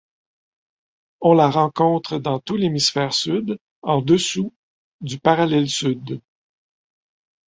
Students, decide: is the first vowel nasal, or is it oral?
nasal